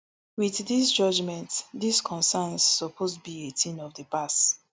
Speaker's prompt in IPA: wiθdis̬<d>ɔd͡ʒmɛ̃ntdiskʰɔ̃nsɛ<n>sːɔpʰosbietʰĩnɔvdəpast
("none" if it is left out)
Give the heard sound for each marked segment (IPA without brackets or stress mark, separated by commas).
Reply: d͡ʒ, n